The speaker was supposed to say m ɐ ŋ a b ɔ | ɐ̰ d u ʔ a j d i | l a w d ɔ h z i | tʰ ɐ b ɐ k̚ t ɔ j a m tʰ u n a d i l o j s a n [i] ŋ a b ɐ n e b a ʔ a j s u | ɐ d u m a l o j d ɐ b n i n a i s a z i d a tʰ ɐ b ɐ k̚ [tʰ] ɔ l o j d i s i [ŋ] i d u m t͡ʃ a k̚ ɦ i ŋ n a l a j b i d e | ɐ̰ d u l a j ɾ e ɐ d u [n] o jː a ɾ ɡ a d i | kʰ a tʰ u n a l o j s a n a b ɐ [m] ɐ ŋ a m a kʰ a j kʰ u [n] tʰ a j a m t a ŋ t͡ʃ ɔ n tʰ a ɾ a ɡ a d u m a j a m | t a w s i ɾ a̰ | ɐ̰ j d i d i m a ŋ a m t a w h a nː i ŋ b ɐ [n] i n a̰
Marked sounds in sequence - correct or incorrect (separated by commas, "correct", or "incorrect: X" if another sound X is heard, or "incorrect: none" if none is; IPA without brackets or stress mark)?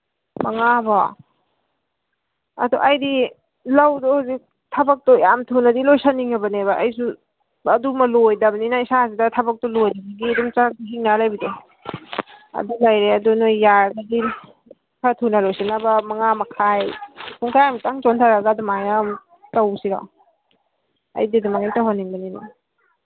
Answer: correct, incorrect: t, incorrect: ɡ, correct, correct, incorrect: ŋ, correct